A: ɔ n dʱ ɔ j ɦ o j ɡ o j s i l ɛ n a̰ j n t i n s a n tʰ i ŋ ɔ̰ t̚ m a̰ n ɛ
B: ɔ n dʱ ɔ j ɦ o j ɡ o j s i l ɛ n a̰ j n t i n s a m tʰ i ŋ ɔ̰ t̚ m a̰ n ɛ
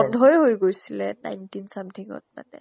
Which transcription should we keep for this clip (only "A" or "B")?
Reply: B